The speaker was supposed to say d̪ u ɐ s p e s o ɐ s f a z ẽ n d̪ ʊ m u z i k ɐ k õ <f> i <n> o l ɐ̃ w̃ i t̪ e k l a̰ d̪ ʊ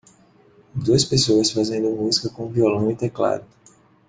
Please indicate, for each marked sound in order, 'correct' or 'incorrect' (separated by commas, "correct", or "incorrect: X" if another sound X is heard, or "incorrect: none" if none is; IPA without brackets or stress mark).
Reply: incorrect: v, incorrect: none